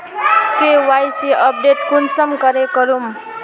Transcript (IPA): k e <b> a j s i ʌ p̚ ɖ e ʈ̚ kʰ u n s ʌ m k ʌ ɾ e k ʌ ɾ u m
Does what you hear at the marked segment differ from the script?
yes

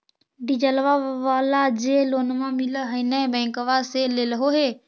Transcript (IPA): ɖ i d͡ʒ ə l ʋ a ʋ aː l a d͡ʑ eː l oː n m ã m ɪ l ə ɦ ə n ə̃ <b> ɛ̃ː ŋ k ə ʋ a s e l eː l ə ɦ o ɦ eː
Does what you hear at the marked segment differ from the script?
no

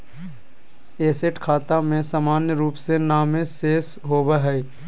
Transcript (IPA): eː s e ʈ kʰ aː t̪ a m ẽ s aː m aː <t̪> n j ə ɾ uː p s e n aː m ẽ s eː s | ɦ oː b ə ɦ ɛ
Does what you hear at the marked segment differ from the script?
yes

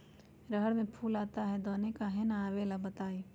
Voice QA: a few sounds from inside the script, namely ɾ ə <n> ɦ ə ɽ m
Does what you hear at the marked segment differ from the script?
yes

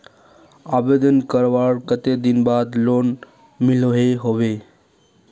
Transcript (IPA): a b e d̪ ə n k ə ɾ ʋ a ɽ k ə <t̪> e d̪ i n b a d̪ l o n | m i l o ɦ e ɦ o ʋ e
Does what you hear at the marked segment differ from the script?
no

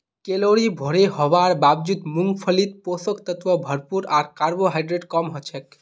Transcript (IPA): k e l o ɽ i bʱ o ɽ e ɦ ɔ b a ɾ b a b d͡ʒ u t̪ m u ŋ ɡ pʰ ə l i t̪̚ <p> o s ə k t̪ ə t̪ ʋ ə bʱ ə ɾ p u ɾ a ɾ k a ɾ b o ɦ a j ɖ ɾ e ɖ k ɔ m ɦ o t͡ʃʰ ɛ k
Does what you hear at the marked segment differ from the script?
no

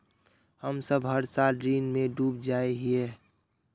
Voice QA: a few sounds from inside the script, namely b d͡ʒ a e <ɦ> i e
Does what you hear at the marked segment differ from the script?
no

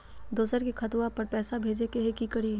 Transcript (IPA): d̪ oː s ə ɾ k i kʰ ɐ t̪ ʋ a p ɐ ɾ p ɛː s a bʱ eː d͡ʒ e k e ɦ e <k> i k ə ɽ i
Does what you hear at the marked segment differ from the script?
no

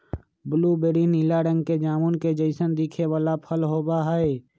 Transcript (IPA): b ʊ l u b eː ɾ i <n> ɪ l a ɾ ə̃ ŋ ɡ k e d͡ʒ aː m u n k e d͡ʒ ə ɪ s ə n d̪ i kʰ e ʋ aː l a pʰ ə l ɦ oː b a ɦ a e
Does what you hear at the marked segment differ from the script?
no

